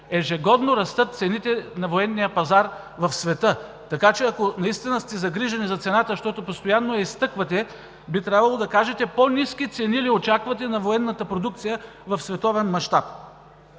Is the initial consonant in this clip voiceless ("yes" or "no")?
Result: no